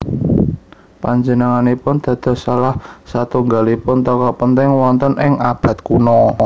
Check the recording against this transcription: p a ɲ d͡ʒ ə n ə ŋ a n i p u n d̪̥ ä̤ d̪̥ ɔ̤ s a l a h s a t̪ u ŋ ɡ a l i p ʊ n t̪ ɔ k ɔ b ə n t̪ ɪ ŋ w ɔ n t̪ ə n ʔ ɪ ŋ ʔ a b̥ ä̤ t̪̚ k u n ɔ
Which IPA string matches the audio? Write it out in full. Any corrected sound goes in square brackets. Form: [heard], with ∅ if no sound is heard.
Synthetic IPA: p a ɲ d͡ʒ ə n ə ŋ a n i p [ʊ] n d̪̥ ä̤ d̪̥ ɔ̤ s a l a h s a t̪ u ŋ ɡ a l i p ʊ n t̪ ɔ k ɔ [p] ə n t̪ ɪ ŋ w ɔ n t̪ ə n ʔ ɪ ŋ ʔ a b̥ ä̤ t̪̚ k u n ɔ